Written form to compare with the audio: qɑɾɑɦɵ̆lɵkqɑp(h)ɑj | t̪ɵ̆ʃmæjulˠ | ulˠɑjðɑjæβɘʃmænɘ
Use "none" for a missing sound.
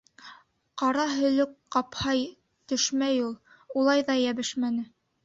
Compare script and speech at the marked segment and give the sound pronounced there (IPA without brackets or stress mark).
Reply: h